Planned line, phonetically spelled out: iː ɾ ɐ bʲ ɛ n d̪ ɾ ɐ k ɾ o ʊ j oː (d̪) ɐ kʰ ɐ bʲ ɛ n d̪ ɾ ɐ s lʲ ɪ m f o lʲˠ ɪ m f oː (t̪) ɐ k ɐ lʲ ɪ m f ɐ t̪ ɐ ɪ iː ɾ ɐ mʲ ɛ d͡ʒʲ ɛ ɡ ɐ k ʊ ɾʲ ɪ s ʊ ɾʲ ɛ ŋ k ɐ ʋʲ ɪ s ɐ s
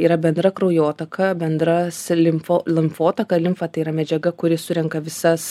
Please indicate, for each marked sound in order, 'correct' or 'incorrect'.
incorrect, correct

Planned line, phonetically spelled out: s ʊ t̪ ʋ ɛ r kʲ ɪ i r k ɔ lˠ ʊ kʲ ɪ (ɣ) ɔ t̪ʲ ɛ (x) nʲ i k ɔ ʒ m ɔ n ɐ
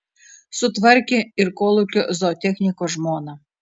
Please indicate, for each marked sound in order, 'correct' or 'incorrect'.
incorrect, correct

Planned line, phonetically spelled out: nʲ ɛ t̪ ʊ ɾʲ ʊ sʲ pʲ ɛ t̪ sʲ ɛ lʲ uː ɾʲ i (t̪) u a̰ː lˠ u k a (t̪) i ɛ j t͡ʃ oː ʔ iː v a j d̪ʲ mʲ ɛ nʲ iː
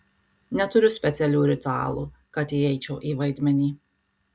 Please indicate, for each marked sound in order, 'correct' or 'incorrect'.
correct, correct

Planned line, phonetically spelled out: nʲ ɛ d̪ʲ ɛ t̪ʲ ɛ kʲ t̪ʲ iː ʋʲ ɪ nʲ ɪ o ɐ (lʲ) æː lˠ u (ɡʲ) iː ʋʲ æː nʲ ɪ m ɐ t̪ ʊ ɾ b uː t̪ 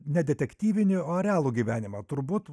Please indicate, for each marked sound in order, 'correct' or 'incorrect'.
incorrect, correct

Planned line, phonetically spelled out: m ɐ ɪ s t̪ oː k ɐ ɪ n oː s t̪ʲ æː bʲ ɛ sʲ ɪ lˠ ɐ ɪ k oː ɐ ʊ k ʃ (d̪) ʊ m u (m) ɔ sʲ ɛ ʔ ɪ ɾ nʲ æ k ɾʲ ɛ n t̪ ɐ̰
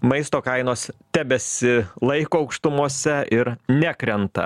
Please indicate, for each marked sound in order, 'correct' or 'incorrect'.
incorrect, incorrect

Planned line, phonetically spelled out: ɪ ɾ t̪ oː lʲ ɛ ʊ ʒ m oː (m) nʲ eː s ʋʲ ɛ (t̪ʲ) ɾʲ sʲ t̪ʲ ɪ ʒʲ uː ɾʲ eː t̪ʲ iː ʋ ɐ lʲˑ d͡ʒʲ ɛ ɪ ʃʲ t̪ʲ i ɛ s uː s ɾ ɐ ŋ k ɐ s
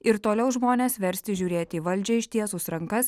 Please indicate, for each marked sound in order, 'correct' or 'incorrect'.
incorrect, incorrect

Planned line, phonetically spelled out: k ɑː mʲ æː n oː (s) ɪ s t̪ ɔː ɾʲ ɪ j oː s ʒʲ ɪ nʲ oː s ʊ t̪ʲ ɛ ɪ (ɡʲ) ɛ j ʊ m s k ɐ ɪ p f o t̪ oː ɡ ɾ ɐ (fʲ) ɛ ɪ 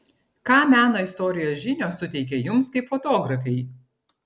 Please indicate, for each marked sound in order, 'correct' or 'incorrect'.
incorrect, incorrect, correct

